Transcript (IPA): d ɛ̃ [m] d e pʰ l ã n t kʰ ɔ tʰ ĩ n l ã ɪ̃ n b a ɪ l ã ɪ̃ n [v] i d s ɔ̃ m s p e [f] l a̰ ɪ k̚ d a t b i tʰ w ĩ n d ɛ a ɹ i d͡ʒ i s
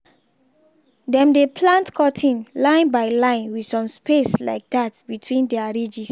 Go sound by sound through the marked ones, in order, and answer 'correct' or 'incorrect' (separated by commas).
correct, incorrect, incorrect